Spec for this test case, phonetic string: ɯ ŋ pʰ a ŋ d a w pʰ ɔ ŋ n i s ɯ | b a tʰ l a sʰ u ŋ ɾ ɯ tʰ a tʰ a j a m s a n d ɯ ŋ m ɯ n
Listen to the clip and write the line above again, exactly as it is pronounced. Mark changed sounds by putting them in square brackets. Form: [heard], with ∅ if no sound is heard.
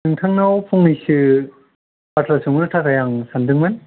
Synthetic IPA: ɯ ŋ [tʰ] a ŋ [n] a w pʰ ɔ ŋ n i s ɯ | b a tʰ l a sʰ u ŋ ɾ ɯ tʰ a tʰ a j a [ŋ] s a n d ɯ ŋ m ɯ n